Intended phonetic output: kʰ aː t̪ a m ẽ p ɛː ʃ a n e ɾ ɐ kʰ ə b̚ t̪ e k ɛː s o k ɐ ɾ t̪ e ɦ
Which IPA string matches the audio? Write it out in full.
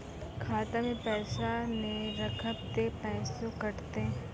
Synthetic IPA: kʰ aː t̪ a m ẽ p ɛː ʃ a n e ɾ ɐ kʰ ə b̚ t̪ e p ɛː s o k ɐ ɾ t̪ e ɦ